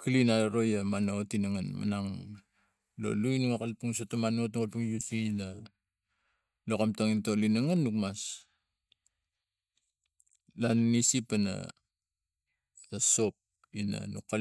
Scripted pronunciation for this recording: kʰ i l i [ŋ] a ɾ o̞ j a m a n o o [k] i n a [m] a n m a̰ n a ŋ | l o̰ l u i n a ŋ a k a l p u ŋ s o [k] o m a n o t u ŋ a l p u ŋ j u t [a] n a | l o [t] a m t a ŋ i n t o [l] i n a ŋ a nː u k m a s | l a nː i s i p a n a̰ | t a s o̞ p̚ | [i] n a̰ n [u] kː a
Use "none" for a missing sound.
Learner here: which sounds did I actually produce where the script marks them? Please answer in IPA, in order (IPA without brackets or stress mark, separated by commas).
n, t, ŋ, t, i, k, l, i, u